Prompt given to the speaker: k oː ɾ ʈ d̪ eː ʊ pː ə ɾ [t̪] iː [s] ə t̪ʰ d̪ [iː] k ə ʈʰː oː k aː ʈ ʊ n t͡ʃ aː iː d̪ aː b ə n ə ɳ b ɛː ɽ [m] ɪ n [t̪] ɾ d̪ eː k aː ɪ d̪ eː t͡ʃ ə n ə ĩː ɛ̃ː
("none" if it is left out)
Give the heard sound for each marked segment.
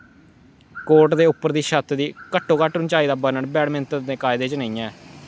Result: d̪, ʃ, iː, m, t̪

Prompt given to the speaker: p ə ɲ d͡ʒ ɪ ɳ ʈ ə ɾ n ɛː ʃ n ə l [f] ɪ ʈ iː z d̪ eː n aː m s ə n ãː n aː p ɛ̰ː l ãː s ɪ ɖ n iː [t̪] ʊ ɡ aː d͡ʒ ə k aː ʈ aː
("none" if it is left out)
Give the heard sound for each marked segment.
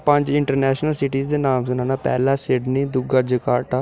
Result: s, d̪

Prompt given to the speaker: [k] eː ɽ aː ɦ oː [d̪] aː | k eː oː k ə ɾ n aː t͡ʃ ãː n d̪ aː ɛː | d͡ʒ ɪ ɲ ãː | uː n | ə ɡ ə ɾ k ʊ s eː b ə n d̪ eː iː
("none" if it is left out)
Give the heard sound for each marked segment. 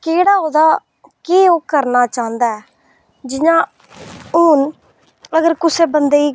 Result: k, d̪

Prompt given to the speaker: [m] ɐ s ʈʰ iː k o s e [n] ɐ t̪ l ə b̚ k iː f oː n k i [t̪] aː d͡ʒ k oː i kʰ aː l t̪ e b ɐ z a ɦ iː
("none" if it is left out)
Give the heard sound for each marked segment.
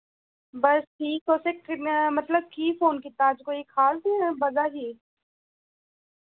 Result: b, m, t̪

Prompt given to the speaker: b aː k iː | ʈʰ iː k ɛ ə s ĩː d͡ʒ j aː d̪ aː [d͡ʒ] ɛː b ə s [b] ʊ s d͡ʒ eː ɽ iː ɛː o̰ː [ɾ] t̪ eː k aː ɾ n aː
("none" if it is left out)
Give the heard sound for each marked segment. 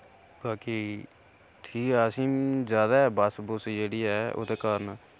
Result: none, b, none

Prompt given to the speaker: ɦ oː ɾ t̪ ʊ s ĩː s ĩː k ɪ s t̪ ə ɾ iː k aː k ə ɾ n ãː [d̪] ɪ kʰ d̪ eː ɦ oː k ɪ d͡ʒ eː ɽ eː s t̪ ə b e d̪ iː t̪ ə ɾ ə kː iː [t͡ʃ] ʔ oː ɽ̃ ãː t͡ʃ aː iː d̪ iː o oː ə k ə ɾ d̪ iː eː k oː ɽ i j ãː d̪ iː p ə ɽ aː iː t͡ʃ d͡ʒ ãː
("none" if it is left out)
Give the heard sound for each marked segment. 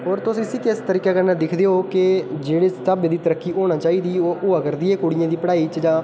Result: d̪, none

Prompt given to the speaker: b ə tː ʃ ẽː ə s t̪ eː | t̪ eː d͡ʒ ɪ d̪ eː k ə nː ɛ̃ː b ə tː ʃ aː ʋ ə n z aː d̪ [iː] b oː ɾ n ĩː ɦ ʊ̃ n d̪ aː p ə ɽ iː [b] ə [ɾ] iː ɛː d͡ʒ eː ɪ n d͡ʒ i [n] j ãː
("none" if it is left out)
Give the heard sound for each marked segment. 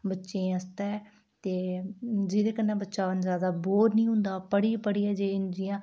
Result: aː, p, ɽ, none

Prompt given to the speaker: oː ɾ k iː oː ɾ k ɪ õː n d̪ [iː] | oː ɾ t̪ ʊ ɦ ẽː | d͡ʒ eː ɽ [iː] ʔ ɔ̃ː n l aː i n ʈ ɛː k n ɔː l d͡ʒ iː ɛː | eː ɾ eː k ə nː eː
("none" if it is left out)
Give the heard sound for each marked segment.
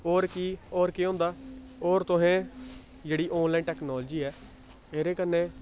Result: aː, iː

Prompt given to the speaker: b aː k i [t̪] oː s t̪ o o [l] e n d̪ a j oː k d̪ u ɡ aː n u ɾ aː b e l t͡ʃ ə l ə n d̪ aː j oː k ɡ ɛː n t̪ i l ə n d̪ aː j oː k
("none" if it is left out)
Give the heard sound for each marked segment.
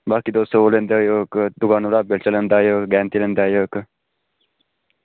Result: d̪, l

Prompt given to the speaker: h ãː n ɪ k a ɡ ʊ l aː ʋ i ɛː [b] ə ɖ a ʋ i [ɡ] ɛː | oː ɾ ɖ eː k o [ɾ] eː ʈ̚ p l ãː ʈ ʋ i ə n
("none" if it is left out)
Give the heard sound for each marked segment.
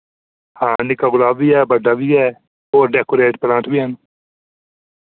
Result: b, none, ɾ

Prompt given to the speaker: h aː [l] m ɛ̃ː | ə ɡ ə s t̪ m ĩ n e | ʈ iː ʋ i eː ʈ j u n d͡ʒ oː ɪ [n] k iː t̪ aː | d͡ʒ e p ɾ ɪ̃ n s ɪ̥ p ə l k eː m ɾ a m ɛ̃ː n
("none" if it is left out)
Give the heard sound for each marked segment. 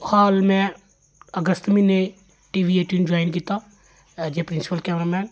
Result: l, n

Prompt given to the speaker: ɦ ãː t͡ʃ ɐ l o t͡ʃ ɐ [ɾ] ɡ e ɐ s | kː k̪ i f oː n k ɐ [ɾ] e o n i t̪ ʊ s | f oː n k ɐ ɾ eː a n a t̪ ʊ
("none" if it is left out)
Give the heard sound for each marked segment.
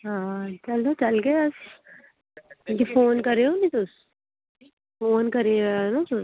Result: l, ɾ

